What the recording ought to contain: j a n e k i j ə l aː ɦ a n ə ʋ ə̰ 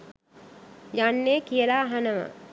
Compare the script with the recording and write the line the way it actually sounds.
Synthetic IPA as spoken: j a nː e k i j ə l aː ɦ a n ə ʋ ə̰